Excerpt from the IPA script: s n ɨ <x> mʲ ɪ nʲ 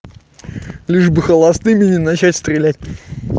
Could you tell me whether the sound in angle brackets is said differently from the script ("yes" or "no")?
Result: yes